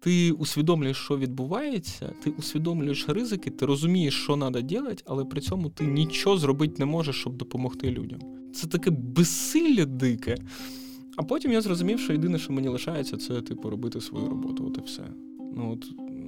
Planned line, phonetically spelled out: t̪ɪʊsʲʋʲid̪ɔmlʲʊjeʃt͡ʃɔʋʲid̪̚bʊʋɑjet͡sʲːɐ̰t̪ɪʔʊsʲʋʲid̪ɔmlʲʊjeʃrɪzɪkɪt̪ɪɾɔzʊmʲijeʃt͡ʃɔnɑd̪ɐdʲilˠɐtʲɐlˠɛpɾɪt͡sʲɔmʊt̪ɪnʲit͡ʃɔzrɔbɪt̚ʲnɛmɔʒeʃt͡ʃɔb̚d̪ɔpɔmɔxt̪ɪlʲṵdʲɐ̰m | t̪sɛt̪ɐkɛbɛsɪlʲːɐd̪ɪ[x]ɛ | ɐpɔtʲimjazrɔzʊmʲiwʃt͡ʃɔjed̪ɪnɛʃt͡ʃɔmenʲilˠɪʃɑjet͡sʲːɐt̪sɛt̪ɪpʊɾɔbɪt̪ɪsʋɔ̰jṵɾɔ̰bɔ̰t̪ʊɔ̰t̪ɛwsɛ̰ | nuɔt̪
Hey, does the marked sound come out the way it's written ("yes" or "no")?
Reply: no